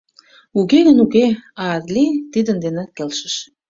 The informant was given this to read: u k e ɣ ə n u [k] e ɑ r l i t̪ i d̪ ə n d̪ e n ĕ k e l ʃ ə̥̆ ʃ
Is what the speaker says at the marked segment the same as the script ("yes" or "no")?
yes